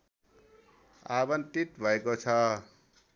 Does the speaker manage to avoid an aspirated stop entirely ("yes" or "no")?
no